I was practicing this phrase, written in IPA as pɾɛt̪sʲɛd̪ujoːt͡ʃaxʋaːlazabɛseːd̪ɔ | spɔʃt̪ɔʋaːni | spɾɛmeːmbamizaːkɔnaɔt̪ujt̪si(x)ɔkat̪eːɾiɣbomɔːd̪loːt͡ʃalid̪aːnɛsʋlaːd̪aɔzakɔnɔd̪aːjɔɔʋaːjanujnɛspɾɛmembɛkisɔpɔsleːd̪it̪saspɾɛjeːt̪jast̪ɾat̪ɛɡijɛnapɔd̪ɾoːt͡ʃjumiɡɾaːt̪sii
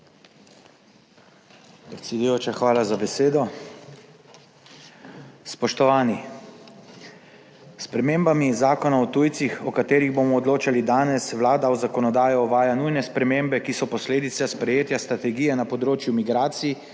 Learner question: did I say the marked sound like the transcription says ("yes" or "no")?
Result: yes